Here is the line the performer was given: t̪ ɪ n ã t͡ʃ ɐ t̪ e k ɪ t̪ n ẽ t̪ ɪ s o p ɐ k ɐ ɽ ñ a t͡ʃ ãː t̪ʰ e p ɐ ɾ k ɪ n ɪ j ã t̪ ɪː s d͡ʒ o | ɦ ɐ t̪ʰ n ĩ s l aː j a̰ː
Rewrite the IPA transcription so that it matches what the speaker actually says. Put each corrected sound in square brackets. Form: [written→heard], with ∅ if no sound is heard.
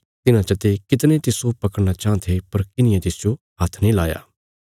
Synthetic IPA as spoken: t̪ ɪ n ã t͡ʃ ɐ t̪ e k ɪ t̪ n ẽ t̪ ɪ s o p ɐ k [ɐ→ə] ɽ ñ a t͡ʃ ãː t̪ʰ e p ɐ ɾ k ɪ n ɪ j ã t̪ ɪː s d͡ʒ o | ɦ ɐ t̪ʰ n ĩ [s→∅] l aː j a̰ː